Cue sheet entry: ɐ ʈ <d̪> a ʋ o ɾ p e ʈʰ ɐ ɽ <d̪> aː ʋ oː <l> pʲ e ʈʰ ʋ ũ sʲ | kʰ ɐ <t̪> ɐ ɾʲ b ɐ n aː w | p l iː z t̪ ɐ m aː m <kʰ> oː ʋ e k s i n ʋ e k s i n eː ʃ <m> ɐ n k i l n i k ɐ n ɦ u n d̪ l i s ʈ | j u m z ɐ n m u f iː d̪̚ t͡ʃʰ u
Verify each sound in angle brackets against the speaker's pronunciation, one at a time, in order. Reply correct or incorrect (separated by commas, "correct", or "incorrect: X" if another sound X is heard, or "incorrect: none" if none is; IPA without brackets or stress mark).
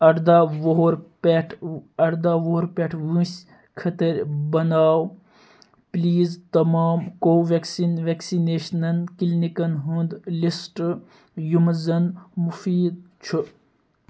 correct, correct, incorrect: ɾ, correct, incorrect: k, incorrect: n